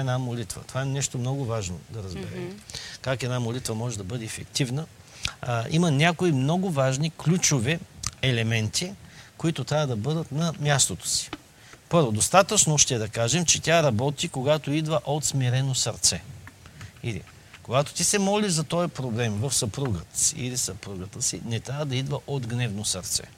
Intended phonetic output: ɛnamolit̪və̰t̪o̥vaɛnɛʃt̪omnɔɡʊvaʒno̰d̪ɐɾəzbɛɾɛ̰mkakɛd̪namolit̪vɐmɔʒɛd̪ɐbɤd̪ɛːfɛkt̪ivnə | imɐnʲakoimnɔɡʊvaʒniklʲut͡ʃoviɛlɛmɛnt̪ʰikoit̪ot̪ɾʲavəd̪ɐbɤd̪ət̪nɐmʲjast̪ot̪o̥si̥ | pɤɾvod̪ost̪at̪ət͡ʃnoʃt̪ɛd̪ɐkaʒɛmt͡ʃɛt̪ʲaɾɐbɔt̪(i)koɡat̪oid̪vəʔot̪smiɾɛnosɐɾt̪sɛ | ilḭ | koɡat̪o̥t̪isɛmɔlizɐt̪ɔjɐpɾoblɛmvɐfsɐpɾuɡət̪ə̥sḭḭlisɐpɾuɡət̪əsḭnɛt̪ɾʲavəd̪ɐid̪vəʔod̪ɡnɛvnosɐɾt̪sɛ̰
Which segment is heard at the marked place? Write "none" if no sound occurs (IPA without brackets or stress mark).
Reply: i